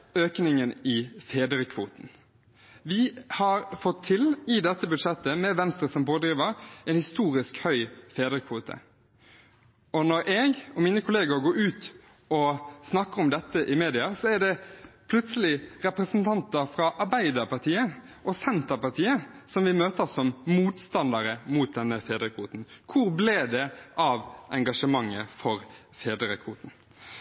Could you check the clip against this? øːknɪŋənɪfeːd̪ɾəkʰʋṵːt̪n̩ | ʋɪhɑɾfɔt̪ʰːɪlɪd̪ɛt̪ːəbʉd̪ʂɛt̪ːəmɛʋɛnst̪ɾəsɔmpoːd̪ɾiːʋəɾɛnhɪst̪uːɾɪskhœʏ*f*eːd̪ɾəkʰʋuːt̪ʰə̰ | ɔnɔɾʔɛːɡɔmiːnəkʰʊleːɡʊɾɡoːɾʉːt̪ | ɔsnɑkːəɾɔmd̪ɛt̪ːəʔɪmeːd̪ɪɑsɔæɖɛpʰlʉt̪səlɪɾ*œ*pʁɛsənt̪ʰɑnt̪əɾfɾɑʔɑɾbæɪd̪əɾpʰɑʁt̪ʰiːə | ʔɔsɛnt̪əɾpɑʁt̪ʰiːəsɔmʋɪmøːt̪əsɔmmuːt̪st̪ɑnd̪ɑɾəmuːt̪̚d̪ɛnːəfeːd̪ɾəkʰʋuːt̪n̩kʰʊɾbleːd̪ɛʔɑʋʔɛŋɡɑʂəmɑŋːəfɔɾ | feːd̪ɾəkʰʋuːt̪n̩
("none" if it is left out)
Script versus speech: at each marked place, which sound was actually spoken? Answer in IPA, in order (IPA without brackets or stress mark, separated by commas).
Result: f, ɛ